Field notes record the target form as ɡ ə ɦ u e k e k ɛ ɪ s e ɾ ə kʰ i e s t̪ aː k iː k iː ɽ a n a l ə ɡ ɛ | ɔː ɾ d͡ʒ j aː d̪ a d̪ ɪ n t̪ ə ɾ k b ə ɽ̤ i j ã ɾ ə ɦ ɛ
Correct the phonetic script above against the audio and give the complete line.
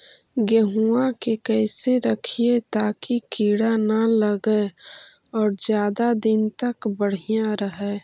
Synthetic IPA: ɡ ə ɦ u a k e k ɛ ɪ s e ɾ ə kʰ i e t̪ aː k i k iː ɽ a n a l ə ɡ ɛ | ɔː ɾ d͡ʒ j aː d̪ a d̪ ɪ n t̪ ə k b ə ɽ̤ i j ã ɾ ə ɦ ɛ